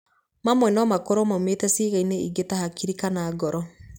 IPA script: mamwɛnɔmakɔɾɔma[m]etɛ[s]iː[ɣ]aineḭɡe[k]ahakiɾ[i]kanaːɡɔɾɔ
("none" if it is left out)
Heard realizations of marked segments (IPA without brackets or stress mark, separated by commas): m, s, ɣ, t, i